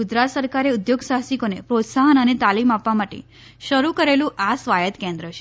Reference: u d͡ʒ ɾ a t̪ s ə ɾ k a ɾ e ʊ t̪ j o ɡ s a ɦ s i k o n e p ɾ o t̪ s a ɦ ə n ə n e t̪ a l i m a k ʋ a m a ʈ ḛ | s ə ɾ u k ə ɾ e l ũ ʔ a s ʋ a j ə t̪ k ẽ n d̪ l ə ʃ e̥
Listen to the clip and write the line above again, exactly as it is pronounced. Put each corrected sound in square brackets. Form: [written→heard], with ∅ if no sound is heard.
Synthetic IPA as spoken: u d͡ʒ ɾ a t̪ s ə ɾ k a ɾ e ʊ [t̪→d̪] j o ɡ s a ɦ s i k o n e p ɾ o t̪ s a ɦ ə n ə n e t̪ a l i m a [k→p] ʋ a m a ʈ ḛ | [s→ʃ] ə ɾ u k ə ɾ e l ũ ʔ a s ʋ a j ə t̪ k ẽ n d̪ [l→ɾ] ə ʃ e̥

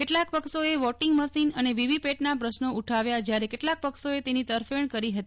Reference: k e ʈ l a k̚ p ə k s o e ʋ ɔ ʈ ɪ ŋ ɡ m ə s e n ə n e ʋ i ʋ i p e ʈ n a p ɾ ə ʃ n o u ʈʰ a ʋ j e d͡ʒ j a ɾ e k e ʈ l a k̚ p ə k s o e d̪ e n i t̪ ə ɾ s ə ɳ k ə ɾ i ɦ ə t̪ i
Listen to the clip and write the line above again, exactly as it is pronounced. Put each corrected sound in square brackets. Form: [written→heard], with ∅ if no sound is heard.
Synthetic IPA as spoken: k e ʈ l a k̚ p ə k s o e ʋ ɔ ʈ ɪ ŋ ɡ m ə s [e→i] n ə n e ʋ i ʋ i p e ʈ n a p ɾ ə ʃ n o u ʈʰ a ʋ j [e→a] d͡ʒ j a ɾ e k e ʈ l a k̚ p ə k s o e [d̪→t̪] e n i t̪ ə ɾ [s→f] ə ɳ k ə ɾ i ɦ ə t̪ i

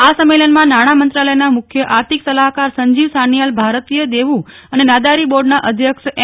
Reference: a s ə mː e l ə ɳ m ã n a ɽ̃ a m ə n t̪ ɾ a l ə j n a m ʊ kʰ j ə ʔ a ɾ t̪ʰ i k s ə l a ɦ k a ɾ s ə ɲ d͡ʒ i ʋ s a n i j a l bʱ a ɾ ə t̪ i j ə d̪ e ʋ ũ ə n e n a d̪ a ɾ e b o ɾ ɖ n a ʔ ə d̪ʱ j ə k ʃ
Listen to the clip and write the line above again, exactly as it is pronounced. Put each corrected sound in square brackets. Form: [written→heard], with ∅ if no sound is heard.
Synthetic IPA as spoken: a s ə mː e l ə [ɳ→n] m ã n a ɽ̃ a m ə n t̪ ɾ a l ə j n a m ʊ kʰ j ə ʔ a ɾ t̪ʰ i k s ə l a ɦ k a ɾ s ə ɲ d͡ʒ i ʋ s a n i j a l bʱ a ɾ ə t̪ i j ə d̪ e ʋ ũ ə n e n a d̪ a ɾ [e→i] b o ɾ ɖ n a ʔ ə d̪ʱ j ə k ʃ

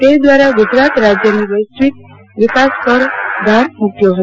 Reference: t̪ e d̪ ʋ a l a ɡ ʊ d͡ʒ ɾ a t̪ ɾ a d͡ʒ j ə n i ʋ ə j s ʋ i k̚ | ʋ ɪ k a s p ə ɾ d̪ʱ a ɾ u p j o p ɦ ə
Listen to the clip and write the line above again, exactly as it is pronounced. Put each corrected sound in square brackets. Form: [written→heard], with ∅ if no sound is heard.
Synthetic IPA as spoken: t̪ e d̪ ʋ a [l→ɾ] a ɡ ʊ d͡ʒ ɾ a t̪ ɾ a d͡ʒ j ə n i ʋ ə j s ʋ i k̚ | ʋ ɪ k a s p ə ɾ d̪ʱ a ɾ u p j o [p→∅] ɦ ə

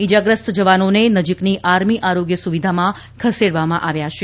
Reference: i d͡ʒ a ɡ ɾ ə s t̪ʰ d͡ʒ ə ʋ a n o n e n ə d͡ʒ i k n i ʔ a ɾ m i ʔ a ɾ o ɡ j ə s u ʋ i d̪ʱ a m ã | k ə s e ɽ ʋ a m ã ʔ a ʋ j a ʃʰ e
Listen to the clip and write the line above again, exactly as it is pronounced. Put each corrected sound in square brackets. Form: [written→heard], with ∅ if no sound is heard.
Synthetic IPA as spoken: i d͡ʒ a ɡ ɾ ə s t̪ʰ d͡ʒ ə ʋ a n o n e n ə d͡ʒ i k n i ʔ a ɾ m i ʔ a ɾ o ɡ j ə s u ʋ i d̪ʱ a m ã | [k→kʰ] ə s e ɽ ʋ a m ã ʔ a ʋ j a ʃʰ e

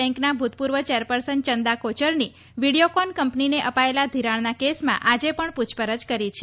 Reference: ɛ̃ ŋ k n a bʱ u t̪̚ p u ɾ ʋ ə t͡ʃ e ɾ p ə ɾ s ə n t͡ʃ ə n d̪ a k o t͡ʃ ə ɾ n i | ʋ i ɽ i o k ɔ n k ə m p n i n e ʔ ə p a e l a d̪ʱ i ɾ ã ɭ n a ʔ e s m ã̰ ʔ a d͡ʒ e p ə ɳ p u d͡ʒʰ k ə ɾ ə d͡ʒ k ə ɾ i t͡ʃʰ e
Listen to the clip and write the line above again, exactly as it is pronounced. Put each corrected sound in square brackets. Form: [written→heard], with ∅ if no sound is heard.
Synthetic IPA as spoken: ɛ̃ ŋ k n a bʱ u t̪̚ p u ɾ ʋ ə t͡ʃ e ɾ p ə ɾ s ə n t͡ʃ ə n d̪ a k o t͡ʃ ə ɾ n i | ʋ i ɽ i o k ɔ n k ə m p n i n e ʔ ə p a e l a d̪ʱ i ɾ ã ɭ n a [ʔ→k] e s m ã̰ ʔ a d͡ʒ e p ə ɳ p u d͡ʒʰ [k→p] ə ɾ ə d͡ʒ k ə ɾ i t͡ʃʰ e

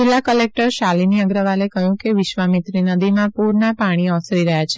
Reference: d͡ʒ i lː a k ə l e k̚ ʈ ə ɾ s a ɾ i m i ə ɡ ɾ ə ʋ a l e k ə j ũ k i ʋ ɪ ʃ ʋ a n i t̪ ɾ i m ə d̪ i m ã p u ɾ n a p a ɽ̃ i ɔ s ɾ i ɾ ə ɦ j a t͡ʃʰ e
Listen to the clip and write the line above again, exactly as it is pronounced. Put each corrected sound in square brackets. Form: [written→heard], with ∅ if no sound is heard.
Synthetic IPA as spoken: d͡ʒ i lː a k ə l e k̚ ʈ ə ɾ [s→ʃ] a [ɾ→l] i [m→n] i ə ɡ ɾ ə ʋ a l e k ə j ũ k [i→e] ʋ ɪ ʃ ʋ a [n→m] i t̪ ɾ i [m→n] ə d̪ i m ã p u ɾ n a p a ɽ̃ i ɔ s ɾ i ɾ ə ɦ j a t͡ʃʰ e

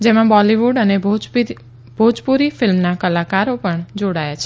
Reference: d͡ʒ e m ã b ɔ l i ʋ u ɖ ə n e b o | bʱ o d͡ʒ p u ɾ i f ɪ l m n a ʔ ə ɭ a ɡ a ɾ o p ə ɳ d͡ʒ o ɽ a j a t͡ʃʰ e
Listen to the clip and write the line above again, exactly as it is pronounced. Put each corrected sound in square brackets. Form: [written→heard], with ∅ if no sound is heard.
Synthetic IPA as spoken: d͡ʒ e m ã b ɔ l i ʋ u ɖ ə n e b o | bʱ o d͡ʒ p u ɾ i f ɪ l m n a [ʔ→k] ə [ɭ→l] a [ɡ→k] a ɾ o p ə ɳ d͡ʒ o ɽ a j a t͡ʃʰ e

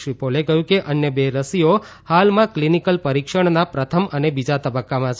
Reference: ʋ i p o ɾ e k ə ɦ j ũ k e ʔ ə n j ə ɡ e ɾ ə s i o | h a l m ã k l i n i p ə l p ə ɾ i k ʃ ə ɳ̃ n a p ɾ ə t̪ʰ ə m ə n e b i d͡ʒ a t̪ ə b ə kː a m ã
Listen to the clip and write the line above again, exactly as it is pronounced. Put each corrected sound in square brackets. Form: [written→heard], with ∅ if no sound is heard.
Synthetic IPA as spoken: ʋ i p o [ɾ→l] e k ə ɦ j ũ k e ʔ ə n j ə [ɡ→b] e ɾ ə s i o | h a l m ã k l i n i [p→k] ə l p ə ɾ i k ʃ ə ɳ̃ n a p ɾ ə t̪ʰ ə m ə n e b i d͡ʒ a t̪ ə b ə kː a m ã

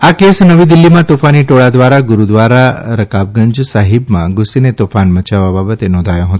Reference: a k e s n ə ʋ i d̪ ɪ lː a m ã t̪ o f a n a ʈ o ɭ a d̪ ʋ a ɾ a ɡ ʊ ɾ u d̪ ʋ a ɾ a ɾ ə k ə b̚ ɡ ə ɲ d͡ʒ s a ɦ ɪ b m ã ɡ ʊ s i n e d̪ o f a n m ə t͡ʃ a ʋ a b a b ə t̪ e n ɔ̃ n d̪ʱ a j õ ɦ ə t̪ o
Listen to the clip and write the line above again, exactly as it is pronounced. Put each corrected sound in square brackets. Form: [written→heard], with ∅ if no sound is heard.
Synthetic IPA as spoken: a k e s n ə ʋ i d̪ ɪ lː [a→i] m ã t̪ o f a n [a→i] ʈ o ɭ a d̪ ʋ a ɾ a ɡ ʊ ɾ u d̪ ʋ a ɾ a ɾ ə k [ə→a] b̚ ɡ ə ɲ d͡ʒ s a ɦ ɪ b m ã ɡ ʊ s i n e [d̪→t̪] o f a n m ə t͡ʃ a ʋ a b a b ə t̪ e n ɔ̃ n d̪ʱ a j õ ɦ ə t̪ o

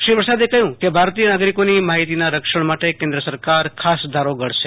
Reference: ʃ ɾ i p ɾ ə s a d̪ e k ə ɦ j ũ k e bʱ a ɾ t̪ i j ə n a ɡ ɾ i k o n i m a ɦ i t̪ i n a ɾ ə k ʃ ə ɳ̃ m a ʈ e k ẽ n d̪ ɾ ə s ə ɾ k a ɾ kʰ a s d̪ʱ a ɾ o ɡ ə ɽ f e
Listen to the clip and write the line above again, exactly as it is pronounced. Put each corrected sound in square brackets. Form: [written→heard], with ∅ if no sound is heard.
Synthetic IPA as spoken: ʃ ɾ i p ɾ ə s a d̪ e k ə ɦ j ũ k e bʱ a ɾ t̪ i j ə n a ɡ ɾ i k o n i m a ɦ i t̪ i n a ɾ ə k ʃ ə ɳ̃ m a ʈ e k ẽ n d̪ ɾ ə s ə ɾ k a ɾ kʰ a s d̪ʱ a ɾ o ɡ ə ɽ [f→ʃ] e

